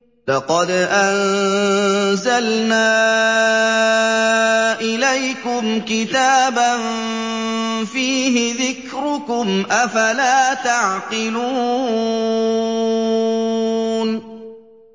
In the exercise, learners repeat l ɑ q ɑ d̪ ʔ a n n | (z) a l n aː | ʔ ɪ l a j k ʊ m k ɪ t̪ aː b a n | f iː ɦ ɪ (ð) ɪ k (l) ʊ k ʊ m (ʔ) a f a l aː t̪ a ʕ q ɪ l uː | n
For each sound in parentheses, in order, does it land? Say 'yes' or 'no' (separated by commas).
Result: yes, yes, no, yes